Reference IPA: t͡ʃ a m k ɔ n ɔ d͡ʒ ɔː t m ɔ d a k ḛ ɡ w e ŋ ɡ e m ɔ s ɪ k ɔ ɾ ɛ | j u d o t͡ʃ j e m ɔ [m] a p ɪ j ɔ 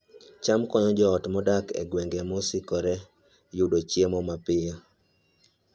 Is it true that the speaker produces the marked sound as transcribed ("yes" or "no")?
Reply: yes